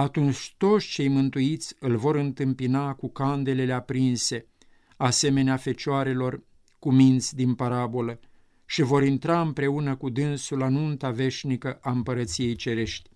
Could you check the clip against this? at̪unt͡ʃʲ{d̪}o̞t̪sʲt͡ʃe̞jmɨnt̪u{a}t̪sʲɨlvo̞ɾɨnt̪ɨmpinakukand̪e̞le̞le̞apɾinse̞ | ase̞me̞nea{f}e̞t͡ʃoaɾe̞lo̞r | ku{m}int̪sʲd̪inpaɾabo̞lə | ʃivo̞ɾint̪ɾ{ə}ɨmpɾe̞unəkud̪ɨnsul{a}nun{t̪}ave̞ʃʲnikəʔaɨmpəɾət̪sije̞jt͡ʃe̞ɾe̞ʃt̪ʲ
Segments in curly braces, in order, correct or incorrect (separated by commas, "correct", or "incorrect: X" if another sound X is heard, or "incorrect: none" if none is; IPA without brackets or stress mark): incorrect: t̪, incorrect: i, correct, correct, incorrect: a, correct, correct